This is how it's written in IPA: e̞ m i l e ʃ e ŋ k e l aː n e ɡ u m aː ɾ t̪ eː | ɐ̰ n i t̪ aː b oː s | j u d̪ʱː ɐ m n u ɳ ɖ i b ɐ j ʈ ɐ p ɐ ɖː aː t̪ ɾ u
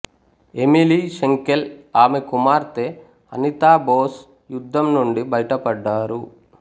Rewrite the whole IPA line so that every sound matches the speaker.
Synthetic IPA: e̞ m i l i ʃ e ŋ k e l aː m e k u m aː ɾ t̪ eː | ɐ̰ n i t̪ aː b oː s | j u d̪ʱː ɐ m n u ɳ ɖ i b ɐ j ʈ ɐ p ɐ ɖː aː ɾ u